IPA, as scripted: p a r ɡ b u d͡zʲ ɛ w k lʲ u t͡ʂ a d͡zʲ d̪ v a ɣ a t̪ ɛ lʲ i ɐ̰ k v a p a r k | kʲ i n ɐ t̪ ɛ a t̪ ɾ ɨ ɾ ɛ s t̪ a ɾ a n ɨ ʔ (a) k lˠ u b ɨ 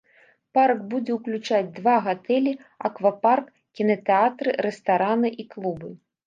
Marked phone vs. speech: incorrect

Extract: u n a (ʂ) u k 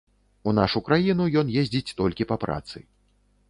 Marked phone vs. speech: correct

